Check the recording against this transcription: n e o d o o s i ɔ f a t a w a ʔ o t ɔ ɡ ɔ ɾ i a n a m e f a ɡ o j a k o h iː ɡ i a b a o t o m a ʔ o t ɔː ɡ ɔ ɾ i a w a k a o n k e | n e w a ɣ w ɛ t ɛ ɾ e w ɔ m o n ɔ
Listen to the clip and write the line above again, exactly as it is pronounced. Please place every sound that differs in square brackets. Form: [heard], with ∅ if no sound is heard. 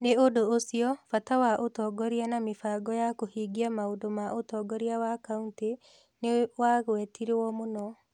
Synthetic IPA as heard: n e o d o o s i ɔ f a t a w a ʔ o t ɔ ɡ ɔ ɾ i a n a m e f a ɡ [ɔ] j a k o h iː ɡ i a [m] a o [d] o m a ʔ o t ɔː ɡ ɔ ɾ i a w a k a [u] n [t] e | n e w a ɣ w ɛ t [i] ɾ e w ɔ m o n ɔ